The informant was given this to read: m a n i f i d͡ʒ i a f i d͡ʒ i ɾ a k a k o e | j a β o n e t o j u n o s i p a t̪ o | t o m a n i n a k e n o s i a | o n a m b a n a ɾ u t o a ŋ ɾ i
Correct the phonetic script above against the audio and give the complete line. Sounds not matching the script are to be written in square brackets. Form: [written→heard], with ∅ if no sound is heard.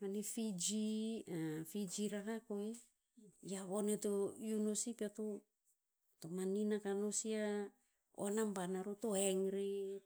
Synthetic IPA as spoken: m a n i f i d͡ʒ i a f i d͡ʒ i ɾ a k a k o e | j a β o n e t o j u n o s i p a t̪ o | t o m a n i n a k [e→a] n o s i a | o n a m b a n a ɾ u t o [a→e] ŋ ɾ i